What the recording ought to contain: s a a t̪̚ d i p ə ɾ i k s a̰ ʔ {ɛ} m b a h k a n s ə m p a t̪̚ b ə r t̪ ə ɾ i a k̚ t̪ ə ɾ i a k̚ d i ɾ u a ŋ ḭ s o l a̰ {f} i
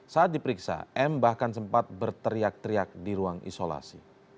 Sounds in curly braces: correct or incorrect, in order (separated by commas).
correct, incorrect